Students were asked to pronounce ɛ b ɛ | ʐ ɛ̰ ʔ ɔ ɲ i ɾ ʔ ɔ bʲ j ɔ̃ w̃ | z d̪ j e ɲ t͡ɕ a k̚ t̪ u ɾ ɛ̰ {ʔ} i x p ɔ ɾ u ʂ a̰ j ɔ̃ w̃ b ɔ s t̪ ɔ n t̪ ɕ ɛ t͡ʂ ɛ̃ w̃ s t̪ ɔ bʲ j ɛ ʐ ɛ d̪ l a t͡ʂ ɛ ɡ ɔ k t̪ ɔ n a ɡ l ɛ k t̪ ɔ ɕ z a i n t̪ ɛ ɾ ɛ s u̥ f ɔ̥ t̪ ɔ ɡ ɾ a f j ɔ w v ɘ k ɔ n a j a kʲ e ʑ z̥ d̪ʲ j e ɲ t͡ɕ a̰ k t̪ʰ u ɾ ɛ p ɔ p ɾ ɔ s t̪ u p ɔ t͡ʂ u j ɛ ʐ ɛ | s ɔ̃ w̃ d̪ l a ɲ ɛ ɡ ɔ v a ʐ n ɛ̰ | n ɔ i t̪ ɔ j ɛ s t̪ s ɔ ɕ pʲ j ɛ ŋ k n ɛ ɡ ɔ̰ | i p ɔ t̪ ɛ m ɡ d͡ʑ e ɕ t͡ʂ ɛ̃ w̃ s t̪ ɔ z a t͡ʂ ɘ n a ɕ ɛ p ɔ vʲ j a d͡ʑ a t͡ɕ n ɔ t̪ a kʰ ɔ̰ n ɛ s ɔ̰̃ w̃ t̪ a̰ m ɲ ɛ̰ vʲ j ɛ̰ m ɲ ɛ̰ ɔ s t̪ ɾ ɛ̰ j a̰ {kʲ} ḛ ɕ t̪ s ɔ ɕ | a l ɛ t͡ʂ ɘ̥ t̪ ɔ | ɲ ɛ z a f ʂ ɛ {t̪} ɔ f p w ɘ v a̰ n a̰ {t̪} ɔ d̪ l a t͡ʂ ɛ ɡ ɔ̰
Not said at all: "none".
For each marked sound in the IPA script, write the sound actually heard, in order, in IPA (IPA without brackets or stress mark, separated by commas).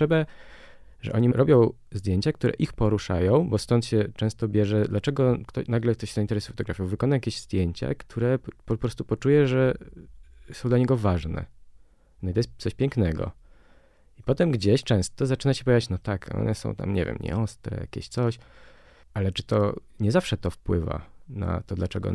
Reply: ʔ, kʲ, t̪, t̪